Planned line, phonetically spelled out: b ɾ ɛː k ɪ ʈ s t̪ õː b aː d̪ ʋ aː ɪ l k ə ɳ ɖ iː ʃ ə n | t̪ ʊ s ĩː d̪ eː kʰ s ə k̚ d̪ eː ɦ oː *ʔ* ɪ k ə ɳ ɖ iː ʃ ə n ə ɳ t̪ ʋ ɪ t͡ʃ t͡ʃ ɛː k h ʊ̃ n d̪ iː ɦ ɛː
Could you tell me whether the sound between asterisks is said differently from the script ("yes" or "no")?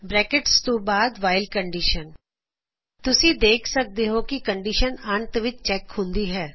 yes